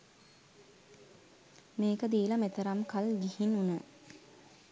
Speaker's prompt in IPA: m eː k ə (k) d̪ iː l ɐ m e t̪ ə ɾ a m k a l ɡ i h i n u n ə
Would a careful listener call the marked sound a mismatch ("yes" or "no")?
yes